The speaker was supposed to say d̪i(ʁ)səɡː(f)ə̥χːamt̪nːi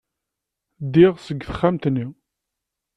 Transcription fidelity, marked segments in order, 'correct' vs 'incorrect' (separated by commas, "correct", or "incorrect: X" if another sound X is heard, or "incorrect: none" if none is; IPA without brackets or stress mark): correct, incorrect: θ